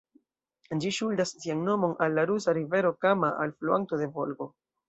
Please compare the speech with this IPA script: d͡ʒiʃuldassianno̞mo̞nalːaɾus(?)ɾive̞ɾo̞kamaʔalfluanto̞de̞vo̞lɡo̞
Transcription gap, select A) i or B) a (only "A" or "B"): B